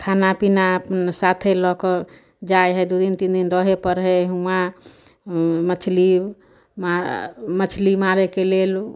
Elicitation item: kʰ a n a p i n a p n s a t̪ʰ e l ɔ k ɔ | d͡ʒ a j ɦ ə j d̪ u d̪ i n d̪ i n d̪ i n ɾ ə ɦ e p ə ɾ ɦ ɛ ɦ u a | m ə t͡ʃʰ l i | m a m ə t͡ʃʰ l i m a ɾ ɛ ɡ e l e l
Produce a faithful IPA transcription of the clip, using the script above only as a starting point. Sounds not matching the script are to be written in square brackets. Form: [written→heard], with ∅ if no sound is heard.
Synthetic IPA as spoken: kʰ a n a p i n a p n s a t̪ʰ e l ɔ k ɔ | d͡ʒ a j ɦ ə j d̪ u d̪ i n [d̪→t̪] i n d̪ i n ɾ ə ɦ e p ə ɾ ɦ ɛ ɦ u a | m ə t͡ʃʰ l i | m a m ə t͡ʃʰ l i m a ɾ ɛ [ɡ→k] e l e l

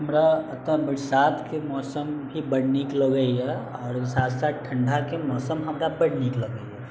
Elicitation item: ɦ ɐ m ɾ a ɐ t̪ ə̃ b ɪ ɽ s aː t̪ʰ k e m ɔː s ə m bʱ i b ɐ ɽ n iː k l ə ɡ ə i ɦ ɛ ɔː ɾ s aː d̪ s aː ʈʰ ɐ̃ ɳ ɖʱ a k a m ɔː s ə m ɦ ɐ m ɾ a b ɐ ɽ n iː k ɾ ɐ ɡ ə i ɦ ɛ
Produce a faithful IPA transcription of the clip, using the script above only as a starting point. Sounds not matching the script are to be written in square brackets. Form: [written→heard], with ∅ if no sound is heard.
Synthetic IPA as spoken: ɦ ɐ m ɾ a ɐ t̪ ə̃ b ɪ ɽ s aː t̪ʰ k e m ɔː s ə m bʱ i b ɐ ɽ n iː k l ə ɡ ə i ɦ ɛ ɔː ɾ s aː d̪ s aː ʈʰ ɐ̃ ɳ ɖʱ a k [a→e] m ɔː s ə m ɦ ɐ m ɾ a b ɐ ɽ n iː k [ɾ→l] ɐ ɡ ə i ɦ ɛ

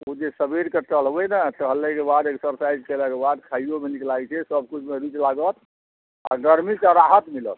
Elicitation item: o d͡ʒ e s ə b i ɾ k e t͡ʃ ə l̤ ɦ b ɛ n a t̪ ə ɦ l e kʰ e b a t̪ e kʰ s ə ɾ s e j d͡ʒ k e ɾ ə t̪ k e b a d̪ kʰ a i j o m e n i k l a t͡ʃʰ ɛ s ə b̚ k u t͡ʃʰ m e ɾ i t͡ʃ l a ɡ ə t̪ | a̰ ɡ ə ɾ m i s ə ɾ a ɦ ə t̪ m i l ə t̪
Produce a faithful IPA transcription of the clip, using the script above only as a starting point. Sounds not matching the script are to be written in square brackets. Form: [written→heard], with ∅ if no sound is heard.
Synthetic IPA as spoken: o d͡ʒ e s ə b i ɾ k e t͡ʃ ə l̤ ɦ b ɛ n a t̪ ə ɦ l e [kʰ→k] e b a [t̪→d̪] e [kʰ→k] s ə ɾ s [e→a] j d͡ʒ k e [ɾ→l] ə [t̪→∅] k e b a d̪ kʰ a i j o m e n i k l a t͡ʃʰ ɛ s ə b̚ k u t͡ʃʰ m e ɾ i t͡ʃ l a ɡ ə t̪ | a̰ ɡ ə ɾ m i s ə ɾ a ɦ ə t̪ m i l ə t̪

